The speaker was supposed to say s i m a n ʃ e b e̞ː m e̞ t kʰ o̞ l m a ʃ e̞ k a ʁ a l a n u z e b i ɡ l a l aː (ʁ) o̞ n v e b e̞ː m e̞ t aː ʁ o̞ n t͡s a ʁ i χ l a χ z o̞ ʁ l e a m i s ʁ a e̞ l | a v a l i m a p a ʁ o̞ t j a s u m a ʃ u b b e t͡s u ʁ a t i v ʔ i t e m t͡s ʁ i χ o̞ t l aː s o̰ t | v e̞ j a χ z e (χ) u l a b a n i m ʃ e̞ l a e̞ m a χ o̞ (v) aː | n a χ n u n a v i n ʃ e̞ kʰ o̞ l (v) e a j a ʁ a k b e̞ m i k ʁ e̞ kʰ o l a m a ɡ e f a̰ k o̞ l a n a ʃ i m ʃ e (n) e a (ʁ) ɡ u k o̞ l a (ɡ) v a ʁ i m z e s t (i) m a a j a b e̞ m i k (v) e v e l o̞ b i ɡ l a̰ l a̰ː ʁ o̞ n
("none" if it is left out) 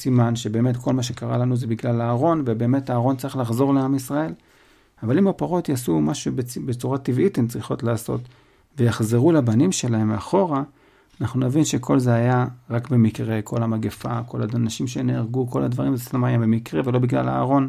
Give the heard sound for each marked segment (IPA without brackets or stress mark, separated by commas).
ʁ, ʁ, ʁ, z, n, ʁ, d, a, ʁ